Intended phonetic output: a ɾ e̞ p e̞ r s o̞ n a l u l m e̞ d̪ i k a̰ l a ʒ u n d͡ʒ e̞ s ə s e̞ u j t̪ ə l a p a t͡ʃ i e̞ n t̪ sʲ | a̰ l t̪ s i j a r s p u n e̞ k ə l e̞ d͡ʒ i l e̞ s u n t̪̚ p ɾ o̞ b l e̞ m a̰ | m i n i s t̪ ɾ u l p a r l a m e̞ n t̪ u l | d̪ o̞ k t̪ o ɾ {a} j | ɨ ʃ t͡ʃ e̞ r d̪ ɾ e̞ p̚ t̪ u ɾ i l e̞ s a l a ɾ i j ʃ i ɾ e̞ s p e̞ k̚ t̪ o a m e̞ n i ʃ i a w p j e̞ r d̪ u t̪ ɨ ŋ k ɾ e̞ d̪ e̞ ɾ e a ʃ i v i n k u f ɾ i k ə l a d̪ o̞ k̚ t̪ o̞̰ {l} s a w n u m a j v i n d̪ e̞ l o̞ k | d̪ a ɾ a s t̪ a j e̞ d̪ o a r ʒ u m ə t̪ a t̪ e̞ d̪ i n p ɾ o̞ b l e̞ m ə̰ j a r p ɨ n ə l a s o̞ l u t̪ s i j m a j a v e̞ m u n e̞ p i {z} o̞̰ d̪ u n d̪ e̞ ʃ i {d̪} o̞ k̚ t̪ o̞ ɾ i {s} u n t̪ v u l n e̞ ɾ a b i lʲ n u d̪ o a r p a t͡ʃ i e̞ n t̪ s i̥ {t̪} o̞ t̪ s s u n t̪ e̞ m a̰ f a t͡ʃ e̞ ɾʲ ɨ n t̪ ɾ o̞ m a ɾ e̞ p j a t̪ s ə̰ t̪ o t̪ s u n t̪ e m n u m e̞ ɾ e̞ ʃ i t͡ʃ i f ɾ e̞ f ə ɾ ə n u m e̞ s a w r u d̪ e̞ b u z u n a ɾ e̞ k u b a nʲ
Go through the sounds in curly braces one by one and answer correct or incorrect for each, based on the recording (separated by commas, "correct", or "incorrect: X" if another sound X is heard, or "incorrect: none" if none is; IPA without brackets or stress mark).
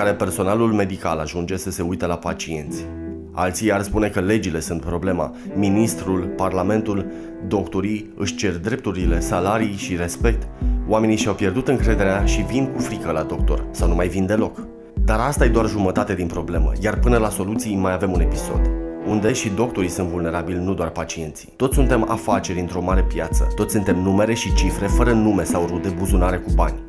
incorrect: i, incorrect: r, incorrect: s, correct, correct, correct